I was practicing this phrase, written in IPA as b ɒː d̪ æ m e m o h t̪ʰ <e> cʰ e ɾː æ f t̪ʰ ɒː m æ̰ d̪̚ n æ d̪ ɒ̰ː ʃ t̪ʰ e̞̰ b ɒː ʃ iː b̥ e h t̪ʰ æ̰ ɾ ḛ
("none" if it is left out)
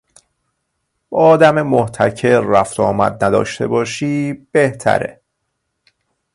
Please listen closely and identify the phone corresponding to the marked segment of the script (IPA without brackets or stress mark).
æ